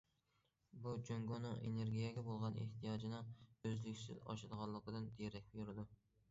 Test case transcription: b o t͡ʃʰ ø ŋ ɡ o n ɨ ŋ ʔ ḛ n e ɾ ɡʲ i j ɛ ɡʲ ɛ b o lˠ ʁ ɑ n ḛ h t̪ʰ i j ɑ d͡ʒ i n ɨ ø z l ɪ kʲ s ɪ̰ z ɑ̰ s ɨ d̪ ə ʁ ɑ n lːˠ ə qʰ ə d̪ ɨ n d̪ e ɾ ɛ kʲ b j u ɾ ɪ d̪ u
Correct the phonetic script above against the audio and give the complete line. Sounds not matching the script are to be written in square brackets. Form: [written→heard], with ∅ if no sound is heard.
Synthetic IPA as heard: b [o→u] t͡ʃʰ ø ŋ ɡ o n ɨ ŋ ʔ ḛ n e ɾ ɡʲ i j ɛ ɡʲ ɛ b o lˠ ʁ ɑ n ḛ h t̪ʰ i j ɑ d͡ʒ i n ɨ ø z l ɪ kʲ s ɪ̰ z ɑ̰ [s→ʃ] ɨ d̪ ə ʁ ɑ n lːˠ ə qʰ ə d̪ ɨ n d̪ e ɾ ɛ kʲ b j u ɾ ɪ d̪ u